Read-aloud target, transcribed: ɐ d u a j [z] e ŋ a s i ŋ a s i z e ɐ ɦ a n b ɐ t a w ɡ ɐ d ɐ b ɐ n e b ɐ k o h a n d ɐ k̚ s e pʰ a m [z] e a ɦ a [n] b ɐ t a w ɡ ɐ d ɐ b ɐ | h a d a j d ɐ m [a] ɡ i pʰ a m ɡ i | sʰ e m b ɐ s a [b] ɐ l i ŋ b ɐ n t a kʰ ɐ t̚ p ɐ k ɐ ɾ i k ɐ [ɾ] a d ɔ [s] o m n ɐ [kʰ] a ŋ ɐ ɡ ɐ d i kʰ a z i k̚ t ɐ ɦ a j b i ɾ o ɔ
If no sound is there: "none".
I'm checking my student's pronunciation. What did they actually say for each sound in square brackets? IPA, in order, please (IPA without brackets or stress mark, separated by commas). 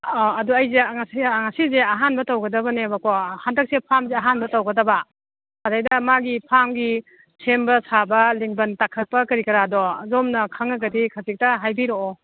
z, z, n, a, b, ɾ, z, kʰ